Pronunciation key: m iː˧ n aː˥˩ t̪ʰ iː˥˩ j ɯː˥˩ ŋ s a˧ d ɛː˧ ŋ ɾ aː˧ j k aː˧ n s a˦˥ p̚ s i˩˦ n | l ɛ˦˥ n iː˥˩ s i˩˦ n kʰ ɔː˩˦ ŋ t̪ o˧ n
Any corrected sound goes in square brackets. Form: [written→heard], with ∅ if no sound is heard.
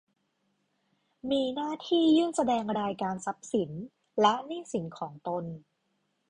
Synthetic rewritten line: m iː˧ n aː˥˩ t̪ʰ iː˥˩ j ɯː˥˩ ŋ s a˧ d ɛː˧ ŋ ɾ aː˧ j k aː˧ n s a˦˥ p̚ s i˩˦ n | l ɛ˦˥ n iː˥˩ s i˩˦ n kʰ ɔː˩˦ ŋ t̪ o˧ n